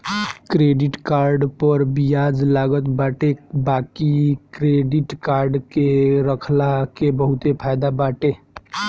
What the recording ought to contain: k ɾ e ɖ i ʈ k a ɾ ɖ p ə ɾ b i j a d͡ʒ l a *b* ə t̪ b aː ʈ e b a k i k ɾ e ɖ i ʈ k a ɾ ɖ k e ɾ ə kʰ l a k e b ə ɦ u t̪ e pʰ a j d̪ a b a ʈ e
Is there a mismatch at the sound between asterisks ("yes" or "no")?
yes